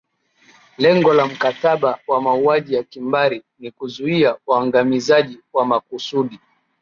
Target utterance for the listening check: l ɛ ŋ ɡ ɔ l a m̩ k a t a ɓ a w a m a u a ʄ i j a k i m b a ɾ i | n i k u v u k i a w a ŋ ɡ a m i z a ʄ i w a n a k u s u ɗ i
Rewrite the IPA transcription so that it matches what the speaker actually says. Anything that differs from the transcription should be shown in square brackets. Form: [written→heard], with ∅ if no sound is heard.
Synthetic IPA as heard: l ɛ ŋ ɡ ɔ l a m̩ k a t a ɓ a w a m a u a ʄ i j a k i m b a ɾ i | n i k u [v→z] u [k→∅] i a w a ŋ ɡ a m i z a ʄ i w a [n→m] a k u s u ɗ i